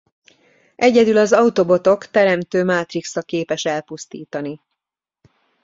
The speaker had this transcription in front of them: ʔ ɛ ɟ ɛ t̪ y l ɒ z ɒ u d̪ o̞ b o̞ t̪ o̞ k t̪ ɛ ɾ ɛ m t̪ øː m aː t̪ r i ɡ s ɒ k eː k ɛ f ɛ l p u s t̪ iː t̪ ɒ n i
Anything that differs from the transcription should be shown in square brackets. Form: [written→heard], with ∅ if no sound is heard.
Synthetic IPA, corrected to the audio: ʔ ɛ ɟ ɛ [t̪→d̪] y l ɒ z ɒ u [d̪→t̪] o̞ b o̞ t̪ o̞ k t̪ ɛ ɾ ɛ m t̪ øː m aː t̪ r i [ɡ→k] s ɒ k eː [k→p] ɛ [f→ʃ] ɛ l p u s t̪ iː t̪ ɒ n i